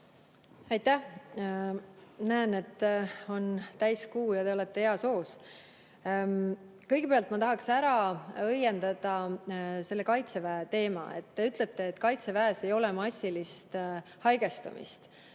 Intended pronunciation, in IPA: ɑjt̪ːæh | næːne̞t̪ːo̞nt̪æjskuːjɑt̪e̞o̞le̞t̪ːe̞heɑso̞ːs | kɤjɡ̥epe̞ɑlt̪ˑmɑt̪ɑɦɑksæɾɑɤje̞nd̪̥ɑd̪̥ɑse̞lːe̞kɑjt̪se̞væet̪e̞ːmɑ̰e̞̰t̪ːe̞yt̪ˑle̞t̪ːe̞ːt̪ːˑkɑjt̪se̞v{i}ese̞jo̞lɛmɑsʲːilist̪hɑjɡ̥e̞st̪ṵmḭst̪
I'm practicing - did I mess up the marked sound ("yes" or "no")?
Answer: yes